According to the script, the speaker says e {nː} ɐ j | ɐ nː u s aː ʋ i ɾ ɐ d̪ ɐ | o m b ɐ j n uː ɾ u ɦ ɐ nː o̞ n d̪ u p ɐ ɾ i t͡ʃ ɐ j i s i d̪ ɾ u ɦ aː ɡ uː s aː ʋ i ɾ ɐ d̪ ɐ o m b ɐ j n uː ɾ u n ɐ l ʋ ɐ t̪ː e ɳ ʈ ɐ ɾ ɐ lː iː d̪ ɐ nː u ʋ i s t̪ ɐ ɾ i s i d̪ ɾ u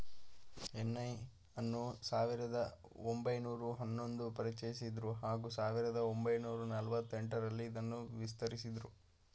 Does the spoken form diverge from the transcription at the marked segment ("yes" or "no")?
no